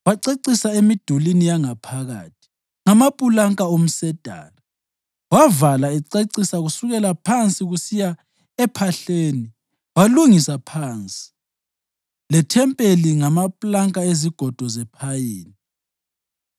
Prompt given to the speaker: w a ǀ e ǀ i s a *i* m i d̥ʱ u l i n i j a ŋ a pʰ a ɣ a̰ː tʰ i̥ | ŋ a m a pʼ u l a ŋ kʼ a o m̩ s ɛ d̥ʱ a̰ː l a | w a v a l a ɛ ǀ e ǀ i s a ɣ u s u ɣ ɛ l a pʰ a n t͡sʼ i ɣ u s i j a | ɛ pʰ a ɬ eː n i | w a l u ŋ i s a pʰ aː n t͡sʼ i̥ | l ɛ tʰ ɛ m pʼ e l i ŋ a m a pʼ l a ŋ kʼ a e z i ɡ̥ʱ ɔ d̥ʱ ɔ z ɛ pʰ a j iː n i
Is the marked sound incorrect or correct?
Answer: incorrect